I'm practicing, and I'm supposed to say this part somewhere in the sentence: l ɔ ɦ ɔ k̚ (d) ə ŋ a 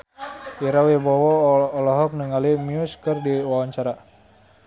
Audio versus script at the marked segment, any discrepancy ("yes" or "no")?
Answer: yes